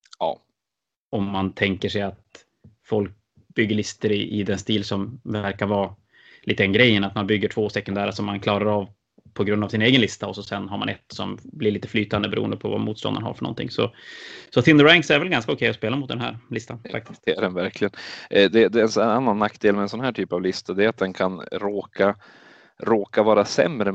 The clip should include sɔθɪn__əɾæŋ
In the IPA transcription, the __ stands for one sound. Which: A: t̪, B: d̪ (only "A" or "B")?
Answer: B